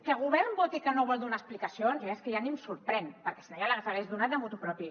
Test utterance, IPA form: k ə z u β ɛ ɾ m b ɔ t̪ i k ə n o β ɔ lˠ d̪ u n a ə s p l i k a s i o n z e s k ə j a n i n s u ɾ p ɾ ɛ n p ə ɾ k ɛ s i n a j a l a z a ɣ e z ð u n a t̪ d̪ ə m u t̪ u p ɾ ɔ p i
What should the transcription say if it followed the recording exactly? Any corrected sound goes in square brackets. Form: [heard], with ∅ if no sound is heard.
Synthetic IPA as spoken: k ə [ɣ] u β ɛ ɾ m b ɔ t̪ i k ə n o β ɔ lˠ d̪ u n a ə s p l i k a s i o n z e s k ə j a n i [m] s u ɾ p ɾ ɛ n p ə ɾ k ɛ s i n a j a l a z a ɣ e z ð u n a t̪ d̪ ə m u t̪ u p ɾ ɔ p i